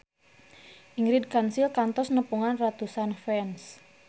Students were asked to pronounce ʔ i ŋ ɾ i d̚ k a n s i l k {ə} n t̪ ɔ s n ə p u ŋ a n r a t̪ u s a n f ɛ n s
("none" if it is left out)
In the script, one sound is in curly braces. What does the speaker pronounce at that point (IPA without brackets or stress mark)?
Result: a